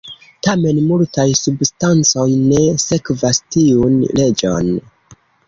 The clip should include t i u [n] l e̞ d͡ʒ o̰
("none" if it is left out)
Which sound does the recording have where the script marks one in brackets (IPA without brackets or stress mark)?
n